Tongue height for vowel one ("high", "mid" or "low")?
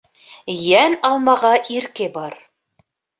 low